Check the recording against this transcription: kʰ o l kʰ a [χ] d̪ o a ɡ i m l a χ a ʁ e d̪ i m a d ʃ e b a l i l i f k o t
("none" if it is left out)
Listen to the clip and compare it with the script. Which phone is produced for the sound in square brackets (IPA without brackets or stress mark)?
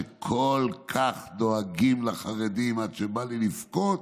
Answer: χ